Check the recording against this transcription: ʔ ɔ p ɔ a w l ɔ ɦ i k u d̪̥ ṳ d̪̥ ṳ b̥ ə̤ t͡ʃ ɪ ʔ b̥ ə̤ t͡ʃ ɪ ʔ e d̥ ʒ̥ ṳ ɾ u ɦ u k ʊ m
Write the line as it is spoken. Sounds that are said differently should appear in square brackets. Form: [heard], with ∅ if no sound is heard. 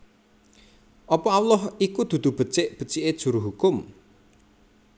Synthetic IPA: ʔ ɔ p ɔ a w l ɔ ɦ i k u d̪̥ ṳ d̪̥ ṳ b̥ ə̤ t͡ʃ ɪ ʔ b̥ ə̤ t͡ʃ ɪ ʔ e d̥ ʒ̥ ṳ ɾ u ɦ u k ʊ m

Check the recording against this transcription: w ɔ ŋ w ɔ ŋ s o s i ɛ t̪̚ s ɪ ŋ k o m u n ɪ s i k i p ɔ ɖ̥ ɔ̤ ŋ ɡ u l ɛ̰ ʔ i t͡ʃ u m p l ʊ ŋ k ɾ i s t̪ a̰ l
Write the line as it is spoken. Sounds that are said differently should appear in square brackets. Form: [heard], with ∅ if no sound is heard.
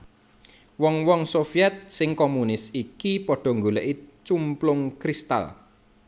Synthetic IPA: w ɔ ŋ w ɔ ŋ s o [f] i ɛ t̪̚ s ɪ ŋ k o m u n ɪ s i k i p ɔ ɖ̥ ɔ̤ ŋ ɡ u l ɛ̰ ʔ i t͡ʃ u m p l ʊ ŋ k ɾ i s t̪ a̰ l

